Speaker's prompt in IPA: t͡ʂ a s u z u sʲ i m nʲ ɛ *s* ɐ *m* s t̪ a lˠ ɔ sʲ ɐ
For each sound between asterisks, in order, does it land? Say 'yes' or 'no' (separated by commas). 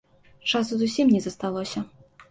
no, no